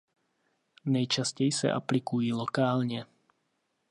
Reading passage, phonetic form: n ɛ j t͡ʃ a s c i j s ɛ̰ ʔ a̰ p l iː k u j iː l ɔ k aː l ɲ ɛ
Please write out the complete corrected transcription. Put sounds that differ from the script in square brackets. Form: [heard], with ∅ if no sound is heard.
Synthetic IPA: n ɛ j t͡ʃ a s c [ɛ] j s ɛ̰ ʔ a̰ p l [i] k u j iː l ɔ k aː l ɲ ɛ